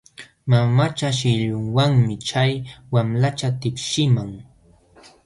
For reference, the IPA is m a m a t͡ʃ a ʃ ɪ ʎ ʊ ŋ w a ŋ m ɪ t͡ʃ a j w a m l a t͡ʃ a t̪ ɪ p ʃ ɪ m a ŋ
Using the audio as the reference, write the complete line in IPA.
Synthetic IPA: m a m a t͡ʃ a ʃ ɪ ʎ ʊ ŋ w a ŋ m ɪ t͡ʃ a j w a m l a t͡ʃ a t̪ ɪ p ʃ ɪ m a ŋ